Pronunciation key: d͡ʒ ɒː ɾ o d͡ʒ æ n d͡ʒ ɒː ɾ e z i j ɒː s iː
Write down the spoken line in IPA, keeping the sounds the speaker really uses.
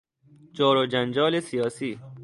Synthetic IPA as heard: d͡ʒ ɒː ɾ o d͡ʒ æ n d͡ʒ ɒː l e s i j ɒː s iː